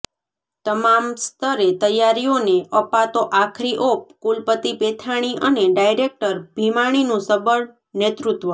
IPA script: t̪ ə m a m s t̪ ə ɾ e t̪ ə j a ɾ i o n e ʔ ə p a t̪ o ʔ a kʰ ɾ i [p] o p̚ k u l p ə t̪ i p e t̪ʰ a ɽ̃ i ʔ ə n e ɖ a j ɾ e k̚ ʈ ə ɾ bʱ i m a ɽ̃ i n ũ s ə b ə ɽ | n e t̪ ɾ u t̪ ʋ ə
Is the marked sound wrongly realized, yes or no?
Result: yes